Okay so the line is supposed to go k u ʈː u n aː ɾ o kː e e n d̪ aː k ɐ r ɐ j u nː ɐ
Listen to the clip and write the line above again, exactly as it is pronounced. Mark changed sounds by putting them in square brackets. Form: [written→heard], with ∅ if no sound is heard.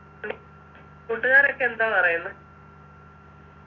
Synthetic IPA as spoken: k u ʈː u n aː ɾ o kː e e n d̪ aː [k→p] ɐ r ɐ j u nː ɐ